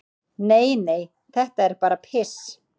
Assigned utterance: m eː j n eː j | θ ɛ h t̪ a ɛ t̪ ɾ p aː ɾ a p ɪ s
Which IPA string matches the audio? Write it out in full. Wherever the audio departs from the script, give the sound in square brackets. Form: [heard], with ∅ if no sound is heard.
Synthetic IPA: [n] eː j n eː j | θ ɛ h t̪ a ɛ [∅] ɾ p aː ɾ a [pʰ] ɪ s